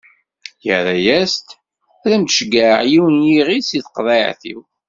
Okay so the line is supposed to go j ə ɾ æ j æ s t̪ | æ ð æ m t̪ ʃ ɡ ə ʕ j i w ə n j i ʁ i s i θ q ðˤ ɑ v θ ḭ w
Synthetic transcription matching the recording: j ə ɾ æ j æ s t̪ | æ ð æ m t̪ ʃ ɡ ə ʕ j i w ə n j i ʁ i s i θ q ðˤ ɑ ʕ θ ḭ w